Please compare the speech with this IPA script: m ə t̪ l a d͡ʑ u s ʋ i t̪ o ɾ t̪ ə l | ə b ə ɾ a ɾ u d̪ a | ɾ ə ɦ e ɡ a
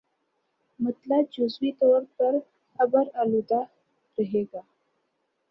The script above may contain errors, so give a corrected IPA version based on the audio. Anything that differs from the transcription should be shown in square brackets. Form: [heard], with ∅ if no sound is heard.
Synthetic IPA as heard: m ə t̪ l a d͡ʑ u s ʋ i t̪ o ɾ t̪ ə [ɾ] | ə b ə ɾ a [l] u d̪ a | ɾ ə ɦ e ɡ a